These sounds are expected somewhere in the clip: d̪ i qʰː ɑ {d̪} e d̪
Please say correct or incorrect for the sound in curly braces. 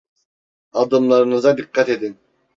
incorrect